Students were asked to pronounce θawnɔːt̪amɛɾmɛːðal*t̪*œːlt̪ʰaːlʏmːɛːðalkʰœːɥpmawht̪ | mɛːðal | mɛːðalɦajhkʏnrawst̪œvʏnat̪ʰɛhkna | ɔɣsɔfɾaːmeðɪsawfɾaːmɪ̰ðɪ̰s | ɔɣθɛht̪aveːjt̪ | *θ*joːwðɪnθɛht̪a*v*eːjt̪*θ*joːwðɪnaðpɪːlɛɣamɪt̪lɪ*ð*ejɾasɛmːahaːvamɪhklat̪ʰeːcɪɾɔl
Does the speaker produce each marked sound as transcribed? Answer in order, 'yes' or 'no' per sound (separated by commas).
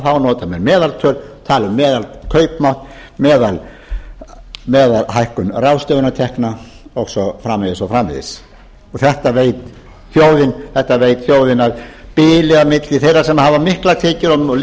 no, yes, yes, yes, no